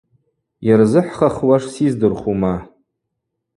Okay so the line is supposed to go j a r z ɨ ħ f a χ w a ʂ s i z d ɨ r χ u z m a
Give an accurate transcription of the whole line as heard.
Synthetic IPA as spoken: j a r z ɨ ħ χ a χ w a ʂ s i z d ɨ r χ u m a